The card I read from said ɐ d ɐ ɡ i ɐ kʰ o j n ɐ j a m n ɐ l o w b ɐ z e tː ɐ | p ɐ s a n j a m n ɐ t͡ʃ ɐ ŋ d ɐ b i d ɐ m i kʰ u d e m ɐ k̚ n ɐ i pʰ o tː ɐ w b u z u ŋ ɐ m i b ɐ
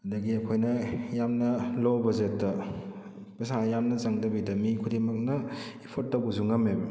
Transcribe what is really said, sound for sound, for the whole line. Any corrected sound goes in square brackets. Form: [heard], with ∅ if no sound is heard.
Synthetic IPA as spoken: ɐ d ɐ ɡ i ɐ kʰ o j n ɐ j a m n ɐ l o w b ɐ z e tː ɐ | p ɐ s a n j a m n ɐ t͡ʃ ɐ ŋ d ɐ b i d ɐ m i kʰ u d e m ɐ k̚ n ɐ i pʰ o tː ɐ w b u z u ŋ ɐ m [e] b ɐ